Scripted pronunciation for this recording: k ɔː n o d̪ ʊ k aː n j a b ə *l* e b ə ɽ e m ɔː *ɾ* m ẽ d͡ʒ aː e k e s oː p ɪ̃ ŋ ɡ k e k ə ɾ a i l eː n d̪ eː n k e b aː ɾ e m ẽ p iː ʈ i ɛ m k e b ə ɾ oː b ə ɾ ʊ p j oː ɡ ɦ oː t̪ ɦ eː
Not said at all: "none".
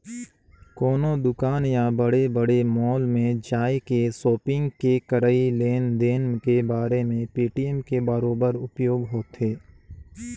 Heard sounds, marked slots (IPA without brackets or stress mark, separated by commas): ɽ, l